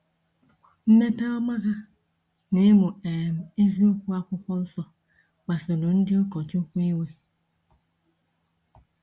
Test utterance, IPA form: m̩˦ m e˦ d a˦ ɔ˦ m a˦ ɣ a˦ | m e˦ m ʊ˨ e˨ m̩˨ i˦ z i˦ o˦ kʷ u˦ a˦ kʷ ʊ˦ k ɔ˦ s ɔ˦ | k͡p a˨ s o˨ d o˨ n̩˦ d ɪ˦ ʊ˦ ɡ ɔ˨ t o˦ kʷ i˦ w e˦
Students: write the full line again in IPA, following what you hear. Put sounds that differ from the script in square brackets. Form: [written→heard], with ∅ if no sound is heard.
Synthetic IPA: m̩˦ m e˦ [d→t] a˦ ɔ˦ m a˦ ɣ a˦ | [m→n] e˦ m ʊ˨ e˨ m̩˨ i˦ z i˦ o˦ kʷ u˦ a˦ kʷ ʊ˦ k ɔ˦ s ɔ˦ | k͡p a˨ s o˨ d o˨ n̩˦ d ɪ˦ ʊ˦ [ɡ→k] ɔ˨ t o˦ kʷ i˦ w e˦